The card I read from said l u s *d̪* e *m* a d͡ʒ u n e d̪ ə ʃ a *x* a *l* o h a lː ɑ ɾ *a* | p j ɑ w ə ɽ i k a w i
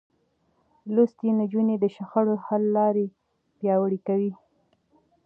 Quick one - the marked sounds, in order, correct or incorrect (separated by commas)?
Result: incorrect, incorrect, correct, incorrect, incorrect